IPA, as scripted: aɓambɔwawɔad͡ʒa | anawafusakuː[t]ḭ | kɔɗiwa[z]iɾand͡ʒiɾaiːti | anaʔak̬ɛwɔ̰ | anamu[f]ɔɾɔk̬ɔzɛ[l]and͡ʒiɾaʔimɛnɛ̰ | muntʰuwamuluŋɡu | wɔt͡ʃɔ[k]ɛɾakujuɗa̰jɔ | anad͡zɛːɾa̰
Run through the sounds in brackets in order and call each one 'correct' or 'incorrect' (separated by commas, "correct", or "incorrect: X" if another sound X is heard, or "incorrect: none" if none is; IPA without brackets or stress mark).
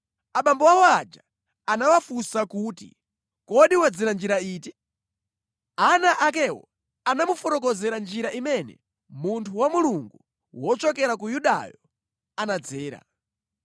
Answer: correct, incorrect: d͡z, correct, incorrect: ɾ, correct